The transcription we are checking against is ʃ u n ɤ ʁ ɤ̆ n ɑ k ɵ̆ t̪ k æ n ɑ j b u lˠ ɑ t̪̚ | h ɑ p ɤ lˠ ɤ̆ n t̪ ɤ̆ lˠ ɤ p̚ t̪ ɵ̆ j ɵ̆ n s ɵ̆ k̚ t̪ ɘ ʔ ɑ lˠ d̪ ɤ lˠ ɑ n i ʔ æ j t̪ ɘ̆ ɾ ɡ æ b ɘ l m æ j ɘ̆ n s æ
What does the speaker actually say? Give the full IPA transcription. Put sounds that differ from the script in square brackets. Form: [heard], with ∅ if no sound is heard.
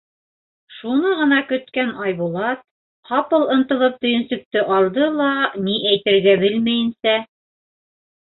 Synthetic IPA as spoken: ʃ u n ɤ ʁ ɤ̆ n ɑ k ɵ̆ t̪ k æ n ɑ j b u lˠ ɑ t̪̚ | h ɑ p ɤ lˠ ɤ̆ n t̪ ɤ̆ lˠ ɤ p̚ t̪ ɵ̆ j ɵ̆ n s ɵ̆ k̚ t̪ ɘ ʔ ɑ lˠ d̪ ɤ lˠ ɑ n i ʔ æ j t̪ ɘ̆ ɾ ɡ æ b ɘ l m æ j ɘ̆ n s æ